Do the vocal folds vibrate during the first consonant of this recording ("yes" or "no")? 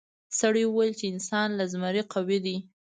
no